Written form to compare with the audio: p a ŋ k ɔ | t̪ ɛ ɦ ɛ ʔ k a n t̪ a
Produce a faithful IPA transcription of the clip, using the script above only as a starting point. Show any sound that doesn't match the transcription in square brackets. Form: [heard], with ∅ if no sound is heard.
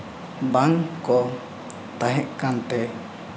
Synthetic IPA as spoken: [b] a ŋ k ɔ | t̪ [a] ɦ ɛ ʔ k a n t̪ [ɛ]